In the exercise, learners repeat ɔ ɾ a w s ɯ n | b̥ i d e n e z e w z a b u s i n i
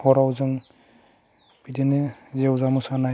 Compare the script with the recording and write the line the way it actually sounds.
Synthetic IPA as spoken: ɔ ɾ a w z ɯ ŋ | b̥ i d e n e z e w z a m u s a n a

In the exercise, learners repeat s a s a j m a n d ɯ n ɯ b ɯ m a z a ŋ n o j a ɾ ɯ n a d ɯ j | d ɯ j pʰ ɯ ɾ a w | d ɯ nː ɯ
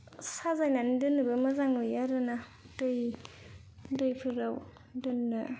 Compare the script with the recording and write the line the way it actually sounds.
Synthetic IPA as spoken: s a z a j n a n d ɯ n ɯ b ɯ m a z a ŋ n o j a ɾ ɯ n a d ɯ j | d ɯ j pʰ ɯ ɾ a w | d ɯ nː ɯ

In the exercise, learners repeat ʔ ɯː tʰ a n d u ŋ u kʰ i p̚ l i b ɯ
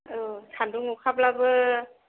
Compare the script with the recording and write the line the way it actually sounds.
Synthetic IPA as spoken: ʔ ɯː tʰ a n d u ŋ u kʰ a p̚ l a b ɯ

